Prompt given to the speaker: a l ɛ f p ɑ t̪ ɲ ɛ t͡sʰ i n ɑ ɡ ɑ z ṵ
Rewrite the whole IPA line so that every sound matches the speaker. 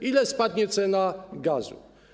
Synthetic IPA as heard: i l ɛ s p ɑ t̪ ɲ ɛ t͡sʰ ɛ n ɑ ɡ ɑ z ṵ

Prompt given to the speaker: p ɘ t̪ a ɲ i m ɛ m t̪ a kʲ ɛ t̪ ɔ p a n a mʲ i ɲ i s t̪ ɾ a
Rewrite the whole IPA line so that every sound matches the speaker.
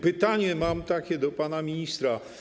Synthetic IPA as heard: p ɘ t̪ a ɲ ɛ m a m t̪ a kʲ ɛ d̪ ɔ p a n a mʲ i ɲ i s t̪ ɾ a

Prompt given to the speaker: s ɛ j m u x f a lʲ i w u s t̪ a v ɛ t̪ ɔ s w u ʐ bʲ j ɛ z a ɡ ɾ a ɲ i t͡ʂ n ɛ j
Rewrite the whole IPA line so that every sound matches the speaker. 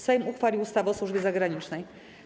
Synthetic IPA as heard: s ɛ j m u x f a lʲ i w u s t̪ a v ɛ ɔ s w u ʐ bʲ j ɛ z a ɡ ɾ a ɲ i t͡ʂ n ɛ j

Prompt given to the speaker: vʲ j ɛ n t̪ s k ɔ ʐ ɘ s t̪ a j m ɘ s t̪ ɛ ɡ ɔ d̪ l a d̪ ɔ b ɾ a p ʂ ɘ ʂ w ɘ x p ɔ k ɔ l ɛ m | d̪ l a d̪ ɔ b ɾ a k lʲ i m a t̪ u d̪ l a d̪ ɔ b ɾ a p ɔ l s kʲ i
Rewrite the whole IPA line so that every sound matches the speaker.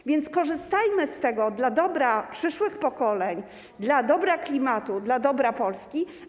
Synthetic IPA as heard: vʲ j ɛ n t̪ s k ɔ ʐ ɘ s t̪ a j m ɘ s t̪ ɛ ɡ ɔ d̪ l a d̪ ɔ b ɾ a p ʂ ɘ ʂ w ɘ x p ɔ k ɔ l ɛ ɲ | d̪ l a d̪ ɔ b ɾ a k lʲ i m a t̪ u d̪ l a d̪ ɔ b ɾ a p ɔ l s kʲ i

